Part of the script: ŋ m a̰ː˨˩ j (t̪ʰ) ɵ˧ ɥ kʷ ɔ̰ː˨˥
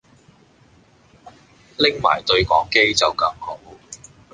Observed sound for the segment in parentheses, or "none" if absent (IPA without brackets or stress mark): t̪